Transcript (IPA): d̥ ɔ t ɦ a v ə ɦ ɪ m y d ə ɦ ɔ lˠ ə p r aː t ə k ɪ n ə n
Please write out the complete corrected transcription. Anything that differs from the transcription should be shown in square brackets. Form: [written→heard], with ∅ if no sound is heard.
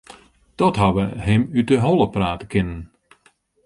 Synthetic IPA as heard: d̥ ɔ t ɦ a [v→ʋ] ə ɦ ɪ m y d ə ɦ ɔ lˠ ə p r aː t ə k ɪ n ə n